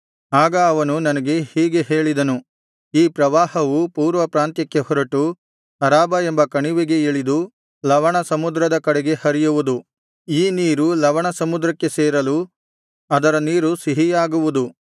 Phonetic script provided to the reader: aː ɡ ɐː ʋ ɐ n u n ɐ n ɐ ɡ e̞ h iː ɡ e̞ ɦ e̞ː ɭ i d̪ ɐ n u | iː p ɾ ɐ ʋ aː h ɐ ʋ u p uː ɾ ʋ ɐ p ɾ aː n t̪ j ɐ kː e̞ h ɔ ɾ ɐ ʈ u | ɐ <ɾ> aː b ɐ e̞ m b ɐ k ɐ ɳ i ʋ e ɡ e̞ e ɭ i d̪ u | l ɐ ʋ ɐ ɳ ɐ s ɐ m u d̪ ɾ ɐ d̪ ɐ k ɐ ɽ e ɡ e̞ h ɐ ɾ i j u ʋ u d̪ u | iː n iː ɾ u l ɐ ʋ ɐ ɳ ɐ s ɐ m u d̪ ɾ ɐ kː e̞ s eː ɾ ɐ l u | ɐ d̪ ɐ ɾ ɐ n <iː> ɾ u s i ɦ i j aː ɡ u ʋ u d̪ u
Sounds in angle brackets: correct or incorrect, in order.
correct, correct

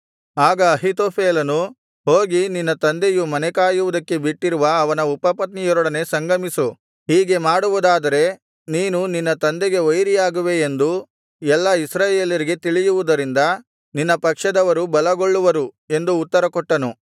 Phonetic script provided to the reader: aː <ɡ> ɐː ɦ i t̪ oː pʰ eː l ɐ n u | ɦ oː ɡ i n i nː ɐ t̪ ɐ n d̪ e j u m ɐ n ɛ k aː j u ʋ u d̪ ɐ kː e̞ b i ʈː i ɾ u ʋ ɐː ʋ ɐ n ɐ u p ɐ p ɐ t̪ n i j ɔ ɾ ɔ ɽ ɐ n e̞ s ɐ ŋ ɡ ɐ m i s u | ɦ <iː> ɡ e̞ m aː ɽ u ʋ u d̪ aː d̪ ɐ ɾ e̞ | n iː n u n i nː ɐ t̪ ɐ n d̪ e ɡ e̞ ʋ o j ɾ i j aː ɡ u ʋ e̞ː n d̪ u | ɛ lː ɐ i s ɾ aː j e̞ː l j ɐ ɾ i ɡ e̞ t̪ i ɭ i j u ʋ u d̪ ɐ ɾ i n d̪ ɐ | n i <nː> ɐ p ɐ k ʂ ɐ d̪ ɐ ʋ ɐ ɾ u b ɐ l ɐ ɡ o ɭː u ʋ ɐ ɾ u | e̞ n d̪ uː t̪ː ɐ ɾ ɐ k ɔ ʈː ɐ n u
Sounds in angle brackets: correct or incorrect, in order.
correct, correct, correct

